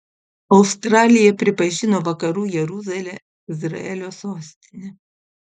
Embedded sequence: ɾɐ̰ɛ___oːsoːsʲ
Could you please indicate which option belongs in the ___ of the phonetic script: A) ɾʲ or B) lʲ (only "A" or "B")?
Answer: B